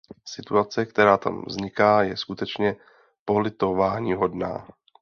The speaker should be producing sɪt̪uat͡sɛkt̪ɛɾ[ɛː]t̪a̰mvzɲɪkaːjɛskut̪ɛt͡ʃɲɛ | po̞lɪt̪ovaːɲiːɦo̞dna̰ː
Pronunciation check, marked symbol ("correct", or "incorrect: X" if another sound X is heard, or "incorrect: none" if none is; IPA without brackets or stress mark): incorrect: aː